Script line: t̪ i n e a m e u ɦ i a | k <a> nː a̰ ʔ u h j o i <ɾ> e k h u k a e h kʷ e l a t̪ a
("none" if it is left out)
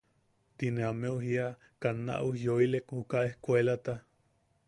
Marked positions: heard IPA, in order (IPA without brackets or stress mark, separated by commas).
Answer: a, l